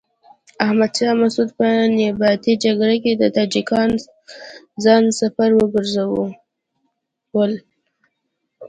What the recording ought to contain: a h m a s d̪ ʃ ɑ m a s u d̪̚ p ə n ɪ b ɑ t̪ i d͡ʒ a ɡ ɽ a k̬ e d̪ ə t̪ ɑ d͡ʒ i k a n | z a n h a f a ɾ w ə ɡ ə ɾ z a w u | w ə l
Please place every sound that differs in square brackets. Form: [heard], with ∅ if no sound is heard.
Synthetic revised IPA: a h m a [∅] d̪ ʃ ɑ m a s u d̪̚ p ə n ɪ b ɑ t̪ i d͡ʒ a ɡ ɽ a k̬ e d̪ ə t̪ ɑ d͡ʒ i k [ɑ] n | z [ɑ] n [s] a f a ɾ w ə ɡ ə ɾ z a w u | w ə l

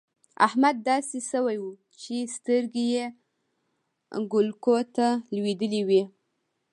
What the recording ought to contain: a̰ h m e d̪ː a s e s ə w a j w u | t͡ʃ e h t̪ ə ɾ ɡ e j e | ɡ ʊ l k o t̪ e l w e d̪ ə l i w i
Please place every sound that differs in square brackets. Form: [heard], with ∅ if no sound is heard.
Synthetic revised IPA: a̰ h m [a] d̪ː [ɑ] s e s ə w a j w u | t͡ʃ e [s] t̪ ə ɾ ɡ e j e | ɡ ʊ l k o t̪ [a] l w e d̪ ə l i w i

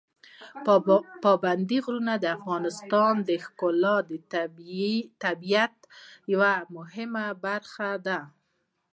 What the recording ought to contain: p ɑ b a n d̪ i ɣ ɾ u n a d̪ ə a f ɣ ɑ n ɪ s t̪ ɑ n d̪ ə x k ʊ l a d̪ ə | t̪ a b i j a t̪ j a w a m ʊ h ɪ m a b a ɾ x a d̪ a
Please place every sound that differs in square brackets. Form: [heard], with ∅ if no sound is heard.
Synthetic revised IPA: p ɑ b a n d̪ i ɣ ɾ u n a d̪ ə a f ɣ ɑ n ɪ s t̪ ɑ n d̪ ə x k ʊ l [ɑ] d̪ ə | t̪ a b i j a t̪ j a w a m ʊ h ɪ m a b a ɾ x a d̪ a

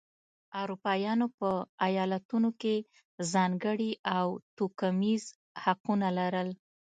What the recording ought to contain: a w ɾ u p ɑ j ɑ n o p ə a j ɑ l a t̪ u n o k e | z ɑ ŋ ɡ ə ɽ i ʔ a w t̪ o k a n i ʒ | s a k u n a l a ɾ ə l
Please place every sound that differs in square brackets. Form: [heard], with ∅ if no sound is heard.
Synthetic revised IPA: a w ɾ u p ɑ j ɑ n o p ə a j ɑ l a t̪ u n o k e | z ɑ ŋ ɡ ə ɽ i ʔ a w t̪ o k a [m] i [z] | [h] a [q] u n a l a ɾ ə l

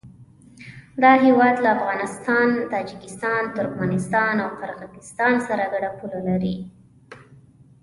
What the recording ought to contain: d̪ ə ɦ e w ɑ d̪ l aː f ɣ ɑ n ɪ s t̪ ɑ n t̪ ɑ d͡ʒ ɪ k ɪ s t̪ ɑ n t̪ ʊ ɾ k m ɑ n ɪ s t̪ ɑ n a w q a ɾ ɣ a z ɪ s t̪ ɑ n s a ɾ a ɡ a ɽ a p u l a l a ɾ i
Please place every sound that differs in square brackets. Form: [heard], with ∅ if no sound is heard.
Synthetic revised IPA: d̪ [ɑ] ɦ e w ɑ d̪ l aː f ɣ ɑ n ɪ s t̪ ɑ n t̪ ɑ d͡ʒ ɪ k ɪ s t̪ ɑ n t̪ ʊ ɾ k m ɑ n ɪ s t̪ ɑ n a w q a ɾ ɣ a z ɪ s t̪ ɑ n s a ɾ a ɡ a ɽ a p u l a l a ɾ i

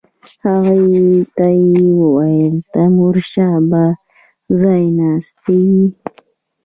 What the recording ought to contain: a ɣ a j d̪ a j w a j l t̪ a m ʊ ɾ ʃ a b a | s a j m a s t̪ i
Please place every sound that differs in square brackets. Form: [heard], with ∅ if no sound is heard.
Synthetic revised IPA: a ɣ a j [t̪] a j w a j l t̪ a m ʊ ɾ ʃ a b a | [z] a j [n] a s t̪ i

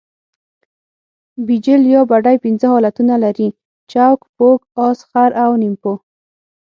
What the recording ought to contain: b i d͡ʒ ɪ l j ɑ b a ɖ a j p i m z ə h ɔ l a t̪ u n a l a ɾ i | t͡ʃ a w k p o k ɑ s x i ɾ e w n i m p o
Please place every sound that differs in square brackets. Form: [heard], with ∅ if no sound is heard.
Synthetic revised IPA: b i d͡ʒ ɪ l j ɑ b a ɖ a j p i [n] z ə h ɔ l a t̪ u n a l a ɾ i | t͡ʃ a w k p o k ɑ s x [a] ɾ [a] w n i m p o

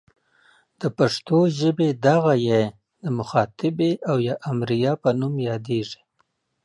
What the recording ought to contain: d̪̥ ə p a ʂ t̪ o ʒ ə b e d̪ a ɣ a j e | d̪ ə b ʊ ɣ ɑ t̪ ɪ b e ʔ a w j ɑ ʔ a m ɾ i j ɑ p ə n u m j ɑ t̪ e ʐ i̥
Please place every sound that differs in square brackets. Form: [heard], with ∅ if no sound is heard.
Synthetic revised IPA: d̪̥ ə p a ʂ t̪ o ʒ ə b e d̪ a ɣ a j e | d̪ ə [m] ʊ [x] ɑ t̪ ɪ b e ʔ a w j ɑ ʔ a m ɾ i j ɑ p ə n u m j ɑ [d̪] e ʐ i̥

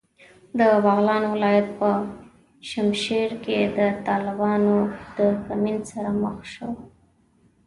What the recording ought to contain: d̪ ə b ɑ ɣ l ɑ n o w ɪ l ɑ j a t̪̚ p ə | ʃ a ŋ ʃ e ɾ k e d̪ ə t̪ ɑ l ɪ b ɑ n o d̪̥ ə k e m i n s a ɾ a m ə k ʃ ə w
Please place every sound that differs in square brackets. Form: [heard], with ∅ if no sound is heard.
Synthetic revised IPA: d̪ ə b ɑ ɣ l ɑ n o w ɪ l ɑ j a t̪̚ p ə | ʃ a [m] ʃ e ɾ k e d̪ ə t̪ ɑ l ɪ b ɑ n o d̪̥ ə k [a] m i n s a ɾ a m ə [x] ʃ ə w

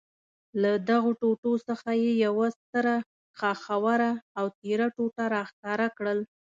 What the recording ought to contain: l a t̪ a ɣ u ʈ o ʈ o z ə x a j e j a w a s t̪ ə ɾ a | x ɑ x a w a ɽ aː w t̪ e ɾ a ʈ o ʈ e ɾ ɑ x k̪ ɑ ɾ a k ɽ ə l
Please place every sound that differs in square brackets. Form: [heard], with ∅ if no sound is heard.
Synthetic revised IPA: l a [d̪] a ɣ [o] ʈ o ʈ o [s] ə x a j e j a w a s t̪ ə ɾ a | x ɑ x a w a [ɾ] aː w t̪ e ɾ a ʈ o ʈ [a] ɾ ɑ x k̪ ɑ ɾ a k ɽ ə l

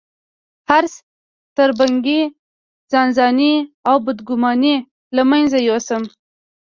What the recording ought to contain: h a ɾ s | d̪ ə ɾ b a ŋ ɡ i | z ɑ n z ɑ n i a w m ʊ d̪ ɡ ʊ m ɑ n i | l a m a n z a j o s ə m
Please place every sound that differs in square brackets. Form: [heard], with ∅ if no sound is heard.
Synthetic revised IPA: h a ɾ s | [t̪] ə ɾ b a ŋ ɡ i | z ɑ n z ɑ n i a w [b] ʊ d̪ ɡ ʊ m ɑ n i | l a m a n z a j o s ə m

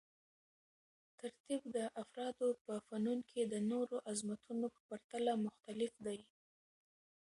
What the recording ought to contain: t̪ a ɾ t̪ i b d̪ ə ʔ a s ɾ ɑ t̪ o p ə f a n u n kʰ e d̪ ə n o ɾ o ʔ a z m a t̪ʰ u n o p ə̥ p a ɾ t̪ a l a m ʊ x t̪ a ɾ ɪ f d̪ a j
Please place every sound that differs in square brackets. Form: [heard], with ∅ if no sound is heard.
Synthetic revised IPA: t̪ a ɾ t̪ i b d̪ ə ʔ a [f] ɾ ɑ [d̪] o p ə f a n u n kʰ e d̪ ə n o ɾ o ʔ a z m a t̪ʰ u n o p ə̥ p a ɾ t̪ a l a m ʊ x t̪ a [l] ɪ f d̪ a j

